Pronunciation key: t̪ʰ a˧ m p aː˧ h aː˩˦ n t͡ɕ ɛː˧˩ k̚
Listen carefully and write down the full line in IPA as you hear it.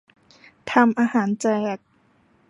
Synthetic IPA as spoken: t̪ʰ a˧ m ʔ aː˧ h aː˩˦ n t͡ɕ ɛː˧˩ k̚